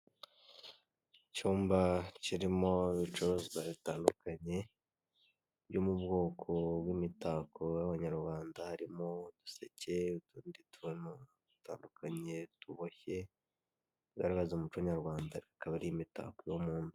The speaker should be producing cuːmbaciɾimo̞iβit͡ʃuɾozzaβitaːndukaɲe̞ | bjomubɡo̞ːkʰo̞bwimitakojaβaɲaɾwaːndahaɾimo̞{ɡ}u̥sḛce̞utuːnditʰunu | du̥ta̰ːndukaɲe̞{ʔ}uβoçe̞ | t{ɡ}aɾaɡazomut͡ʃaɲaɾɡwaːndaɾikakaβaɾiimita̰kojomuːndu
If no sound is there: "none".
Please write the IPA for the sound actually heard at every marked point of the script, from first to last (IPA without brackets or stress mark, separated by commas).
d, t, ɡ